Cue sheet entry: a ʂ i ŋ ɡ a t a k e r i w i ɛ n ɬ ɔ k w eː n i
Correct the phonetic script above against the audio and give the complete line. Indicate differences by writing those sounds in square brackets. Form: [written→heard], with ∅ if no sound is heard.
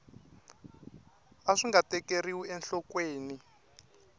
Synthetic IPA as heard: a ʂ i ŋ ɡ a t [a→ɛ] k e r i w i ɛ n ɬ ɔ k w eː n i